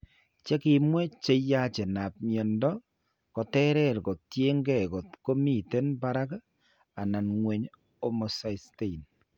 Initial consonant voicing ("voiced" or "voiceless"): voiceless